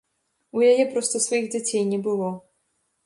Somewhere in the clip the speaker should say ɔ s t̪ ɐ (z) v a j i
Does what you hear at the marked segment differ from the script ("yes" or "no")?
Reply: yes